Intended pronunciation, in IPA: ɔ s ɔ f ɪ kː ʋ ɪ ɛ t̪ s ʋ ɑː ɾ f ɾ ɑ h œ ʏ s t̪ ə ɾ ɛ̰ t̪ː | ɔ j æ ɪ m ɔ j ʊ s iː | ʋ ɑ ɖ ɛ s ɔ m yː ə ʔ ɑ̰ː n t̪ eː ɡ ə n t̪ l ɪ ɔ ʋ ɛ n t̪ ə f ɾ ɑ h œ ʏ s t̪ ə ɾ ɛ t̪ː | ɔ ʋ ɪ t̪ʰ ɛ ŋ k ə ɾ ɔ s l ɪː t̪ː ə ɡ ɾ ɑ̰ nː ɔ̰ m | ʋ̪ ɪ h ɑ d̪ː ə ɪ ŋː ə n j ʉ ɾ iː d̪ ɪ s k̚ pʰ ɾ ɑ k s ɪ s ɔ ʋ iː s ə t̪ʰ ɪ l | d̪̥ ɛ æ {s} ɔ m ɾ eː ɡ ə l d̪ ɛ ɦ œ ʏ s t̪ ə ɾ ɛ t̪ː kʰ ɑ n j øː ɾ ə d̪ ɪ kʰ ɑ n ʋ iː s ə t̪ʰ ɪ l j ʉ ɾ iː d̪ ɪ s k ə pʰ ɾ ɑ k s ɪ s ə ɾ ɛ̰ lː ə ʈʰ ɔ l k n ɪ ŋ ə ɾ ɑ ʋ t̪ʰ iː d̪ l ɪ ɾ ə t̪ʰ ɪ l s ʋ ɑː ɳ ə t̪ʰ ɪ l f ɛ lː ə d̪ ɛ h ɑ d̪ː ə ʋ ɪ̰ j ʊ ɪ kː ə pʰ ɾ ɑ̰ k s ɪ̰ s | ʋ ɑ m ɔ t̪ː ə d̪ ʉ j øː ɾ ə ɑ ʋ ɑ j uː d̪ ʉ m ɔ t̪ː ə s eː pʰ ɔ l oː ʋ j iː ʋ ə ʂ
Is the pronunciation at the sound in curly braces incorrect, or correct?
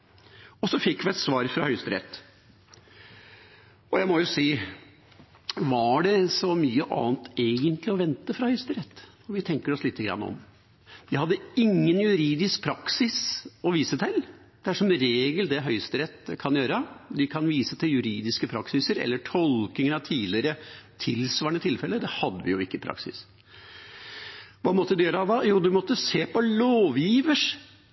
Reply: incorrect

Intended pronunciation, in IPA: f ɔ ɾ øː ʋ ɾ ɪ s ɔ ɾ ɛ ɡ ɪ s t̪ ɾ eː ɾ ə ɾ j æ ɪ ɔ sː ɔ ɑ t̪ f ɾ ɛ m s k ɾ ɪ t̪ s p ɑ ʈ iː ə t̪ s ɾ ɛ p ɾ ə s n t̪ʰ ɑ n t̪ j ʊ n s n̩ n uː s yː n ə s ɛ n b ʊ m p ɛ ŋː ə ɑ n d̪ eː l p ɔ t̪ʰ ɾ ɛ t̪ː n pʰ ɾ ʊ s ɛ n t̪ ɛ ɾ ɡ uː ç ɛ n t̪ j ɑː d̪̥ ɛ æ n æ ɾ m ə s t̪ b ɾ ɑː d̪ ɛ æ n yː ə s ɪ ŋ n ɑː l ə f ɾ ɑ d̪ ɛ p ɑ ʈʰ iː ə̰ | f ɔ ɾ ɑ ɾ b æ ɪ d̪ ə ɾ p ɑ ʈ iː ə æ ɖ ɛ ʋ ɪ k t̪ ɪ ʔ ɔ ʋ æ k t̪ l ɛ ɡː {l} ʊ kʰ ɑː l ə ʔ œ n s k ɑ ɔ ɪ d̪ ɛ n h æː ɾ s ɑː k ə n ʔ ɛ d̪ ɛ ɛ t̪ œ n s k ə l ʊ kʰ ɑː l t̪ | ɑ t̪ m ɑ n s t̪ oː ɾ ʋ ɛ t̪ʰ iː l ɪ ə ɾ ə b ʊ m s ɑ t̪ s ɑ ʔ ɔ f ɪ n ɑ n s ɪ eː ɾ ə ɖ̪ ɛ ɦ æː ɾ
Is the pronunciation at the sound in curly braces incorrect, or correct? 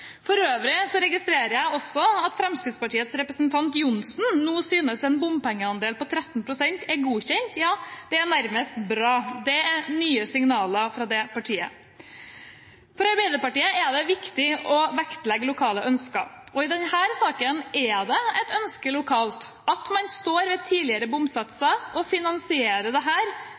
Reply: correct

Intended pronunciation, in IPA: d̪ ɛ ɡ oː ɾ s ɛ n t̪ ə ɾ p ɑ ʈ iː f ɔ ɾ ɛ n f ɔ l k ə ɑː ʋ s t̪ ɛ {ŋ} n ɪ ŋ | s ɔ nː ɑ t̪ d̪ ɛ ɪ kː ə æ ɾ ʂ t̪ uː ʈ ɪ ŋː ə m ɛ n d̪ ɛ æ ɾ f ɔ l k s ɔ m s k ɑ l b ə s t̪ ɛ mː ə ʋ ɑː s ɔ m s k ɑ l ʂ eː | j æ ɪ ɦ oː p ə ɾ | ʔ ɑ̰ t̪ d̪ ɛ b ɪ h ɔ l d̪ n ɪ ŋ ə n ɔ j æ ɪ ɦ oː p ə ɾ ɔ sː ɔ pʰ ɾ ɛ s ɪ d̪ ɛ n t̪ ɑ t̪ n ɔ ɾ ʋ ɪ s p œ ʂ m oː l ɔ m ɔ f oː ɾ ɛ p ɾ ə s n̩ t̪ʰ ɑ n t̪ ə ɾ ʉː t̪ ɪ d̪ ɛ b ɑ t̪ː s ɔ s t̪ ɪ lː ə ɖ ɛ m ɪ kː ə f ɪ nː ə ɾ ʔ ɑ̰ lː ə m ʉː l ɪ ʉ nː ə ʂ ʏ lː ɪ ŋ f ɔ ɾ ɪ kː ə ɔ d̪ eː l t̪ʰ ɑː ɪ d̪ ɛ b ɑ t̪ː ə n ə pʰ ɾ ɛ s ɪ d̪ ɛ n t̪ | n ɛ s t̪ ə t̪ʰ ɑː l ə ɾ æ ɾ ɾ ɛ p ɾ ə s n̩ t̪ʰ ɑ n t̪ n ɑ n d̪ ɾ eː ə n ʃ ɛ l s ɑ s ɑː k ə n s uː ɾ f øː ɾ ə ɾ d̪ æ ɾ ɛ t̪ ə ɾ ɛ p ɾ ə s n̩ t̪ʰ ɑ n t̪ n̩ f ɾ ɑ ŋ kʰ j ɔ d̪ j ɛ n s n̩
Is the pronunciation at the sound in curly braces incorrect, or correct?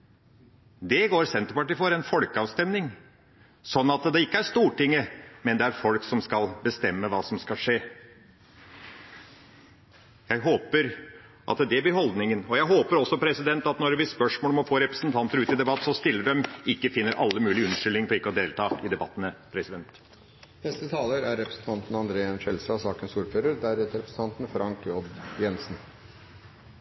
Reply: incorrect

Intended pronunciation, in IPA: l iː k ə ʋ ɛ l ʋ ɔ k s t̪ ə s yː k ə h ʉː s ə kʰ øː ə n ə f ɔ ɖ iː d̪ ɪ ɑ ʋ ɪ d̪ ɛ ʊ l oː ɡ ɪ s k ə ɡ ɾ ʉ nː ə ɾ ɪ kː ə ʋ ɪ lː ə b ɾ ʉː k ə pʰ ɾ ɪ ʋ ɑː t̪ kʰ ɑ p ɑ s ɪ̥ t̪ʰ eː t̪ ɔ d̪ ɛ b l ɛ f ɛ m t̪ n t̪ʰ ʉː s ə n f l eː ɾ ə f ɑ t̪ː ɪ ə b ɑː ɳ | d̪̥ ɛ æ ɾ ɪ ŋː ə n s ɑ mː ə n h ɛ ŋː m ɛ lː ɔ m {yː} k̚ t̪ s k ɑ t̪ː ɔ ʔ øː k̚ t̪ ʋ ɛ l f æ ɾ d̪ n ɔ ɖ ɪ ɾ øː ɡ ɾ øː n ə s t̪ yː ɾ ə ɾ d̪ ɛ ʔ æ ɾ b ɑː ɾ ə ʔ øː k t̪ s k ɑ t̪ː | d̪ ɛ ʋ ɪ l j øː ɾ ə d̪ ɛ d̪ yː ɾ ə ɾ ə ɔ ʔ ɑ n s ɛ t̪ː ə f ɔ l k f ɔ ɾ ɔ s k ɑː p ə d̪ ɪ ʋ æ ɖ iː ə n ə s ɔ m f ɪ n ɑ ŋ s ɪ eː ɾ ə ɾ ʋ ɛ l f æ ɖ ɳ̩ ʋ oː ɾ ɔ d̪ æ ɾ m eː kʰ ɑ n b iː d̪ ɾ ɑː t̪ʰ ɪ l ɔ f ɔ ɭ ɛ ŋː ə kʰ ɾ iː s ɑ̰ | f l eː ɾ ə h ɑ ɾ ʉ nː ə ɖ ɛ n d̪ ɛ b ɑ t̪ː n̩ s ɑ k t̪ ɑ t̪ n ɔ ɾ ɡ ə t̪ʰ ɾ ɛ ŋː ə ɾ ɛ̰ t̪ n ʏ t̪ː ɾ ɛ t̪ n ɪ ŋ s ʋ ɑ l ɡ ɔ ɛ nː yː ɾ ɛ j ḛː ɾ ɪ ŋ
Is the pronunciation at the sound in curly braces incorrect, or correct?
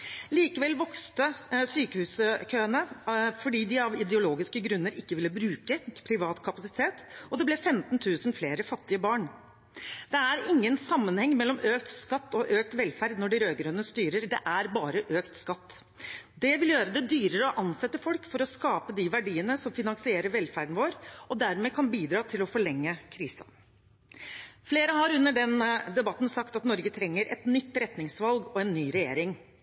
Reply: incorrect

